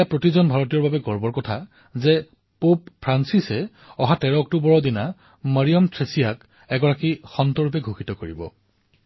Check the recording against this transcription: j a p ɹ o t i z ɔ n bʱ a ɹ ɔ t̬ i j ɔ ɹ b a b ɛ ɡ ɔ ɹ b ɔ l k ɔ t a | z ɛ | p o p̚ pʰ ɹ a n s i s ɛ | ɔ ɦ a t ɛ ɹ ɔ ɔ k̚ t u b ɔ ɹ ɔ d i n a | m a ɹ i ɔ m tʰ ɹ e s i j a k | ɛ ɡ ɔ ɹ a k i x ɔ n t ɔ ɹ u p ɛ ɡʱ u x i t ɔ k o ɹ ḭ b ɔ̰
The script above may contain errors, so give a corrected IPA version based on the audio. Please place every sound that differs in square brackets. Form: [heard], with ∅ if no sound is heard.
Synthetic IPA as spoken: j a p ɹ o t i z ɔ n bʱ a ɹ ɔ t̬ i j ɔ ɹ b a b ɛ ɡ ɔ ɹ b ɔ [ɹ] k ɔ [tʰ] a | z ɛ | p o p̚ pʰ ɹ a n s i s ɛ | ɔ ɦ a t ɛ ɹ ɔ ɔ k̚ t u b ɔ ɹ ɔ d i n a | m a ɹ i ɔ m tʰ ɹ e s i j a k | ɛ ɡ ɔ ɹ a k i x ɔ n t ɔ ɹ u p ɛ ɡʱ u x i t ɔ k o ɹ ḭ b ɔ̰